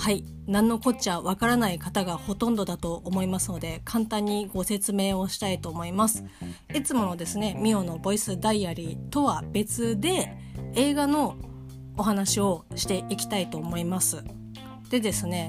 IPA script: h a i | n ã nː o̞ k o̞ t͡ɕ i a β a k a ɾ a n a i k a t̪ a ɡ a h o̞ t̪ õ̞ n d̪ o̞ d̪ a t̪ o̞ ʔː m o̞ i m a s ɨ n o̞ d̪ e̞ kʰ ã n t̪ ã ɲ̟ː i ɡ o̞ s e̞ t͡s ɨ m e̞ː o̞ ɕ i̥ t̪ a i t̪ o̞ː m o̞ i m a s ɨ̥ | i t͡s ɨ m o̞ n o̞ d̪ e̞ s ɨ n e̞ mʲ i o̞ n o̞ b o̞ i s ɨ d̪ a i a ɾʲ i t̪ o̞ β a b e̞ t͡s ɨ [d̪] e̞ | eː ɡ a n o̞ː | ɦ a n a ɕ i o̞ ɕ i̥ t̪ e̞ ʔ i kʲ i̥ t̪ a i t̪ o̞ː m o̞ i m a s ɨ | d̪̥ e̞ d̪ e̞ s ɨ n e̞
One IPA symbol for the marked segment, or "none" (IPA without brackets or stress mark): d̪